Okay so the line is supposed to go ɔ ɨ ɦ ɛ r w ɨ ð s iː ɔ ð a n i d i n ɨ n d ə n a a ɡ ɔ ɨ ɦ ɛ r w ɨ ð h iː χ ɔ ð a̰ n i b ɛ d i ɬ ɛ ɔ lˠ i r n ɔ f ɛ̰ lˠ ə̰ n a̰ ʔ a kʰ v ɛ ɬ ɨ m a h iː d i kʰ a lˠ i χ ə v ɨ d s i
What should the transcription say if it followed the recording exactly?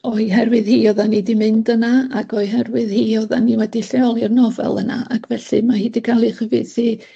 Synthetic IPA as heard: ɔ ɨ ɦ ɛ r w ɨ ð h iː ɔ ð a n i d i m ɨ n d ə n a a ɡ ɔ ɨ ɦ ɛ r w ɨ ð h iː ɔ ð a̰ n i w ɛ d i ɬ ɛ ɔ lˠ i r n ɔ v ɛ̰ lˠ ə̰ n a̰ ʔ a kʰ v ɛ ɬ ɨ m a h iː d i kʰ a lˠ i χ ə v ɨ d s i